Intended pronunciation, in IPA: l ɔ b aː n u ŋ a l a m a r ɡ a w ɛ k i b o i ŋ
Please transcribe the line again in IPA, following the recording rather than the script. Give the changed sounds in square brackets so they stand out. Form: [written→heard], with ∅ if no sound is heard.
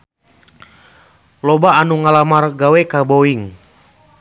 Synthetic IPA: l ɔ b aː n u ŋ a l a m a r ɡ a w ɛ k [i→a] b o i ŋ